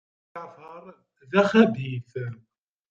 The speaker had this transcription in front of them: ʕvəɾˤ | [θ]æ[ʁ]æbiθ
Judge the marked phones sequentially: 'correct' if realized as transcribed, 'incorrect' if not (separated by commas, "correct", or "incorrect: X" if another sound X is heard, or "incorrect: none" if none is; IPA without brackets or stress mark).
incorrect: ð, incorrect: χ